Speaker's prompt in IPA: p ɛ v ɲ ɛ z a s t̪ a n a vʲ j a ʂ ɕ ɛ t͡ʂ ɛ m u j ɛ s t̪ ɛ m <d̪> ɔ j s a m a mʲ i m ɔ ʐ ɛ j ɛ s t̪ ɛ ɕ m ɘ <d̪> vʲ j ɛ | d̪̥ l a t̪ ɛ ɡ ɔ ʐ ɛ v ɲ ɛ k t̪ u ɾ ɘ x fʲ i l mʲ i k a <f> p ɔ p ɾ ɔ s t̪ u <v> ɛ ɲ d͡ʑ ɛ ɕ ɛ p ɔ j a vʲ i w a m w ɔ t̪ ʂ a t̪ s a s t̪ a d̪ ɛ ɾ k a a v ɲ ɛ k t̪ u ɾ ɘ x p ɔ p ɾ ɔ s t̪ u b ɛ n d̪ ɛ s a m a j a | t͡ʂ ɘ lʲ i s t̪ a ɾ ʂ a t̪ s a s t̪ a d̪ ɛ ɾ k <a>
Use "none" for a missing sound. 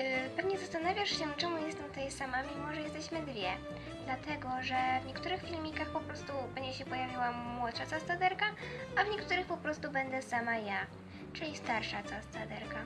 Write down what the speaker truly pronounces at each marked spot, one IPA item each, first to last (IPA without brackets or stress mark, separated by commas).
t̪, d̪, x, b, a